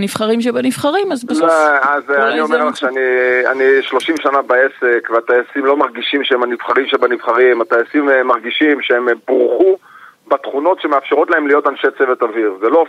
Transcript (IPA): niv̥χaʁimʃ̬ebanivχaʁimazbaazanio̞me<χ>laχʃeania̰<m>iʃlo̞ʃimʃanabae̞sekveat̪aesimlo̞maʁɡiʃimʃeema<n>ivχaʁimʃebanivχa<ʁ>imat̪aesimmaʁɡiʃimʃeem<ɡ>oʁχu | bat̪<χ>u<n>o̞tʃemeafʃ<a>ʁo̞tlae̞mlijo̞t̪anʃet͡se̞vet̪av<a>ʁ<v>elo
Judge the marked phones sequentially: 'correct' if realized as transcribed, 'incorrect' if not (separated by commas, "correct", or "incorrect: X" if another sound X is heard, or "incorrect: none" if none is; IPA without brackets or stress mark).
incorrect: ʁ, incorrect: n, correct, correct, incorrect: b, correct, correct, incorrect: e, incorrect: i, incorrect: z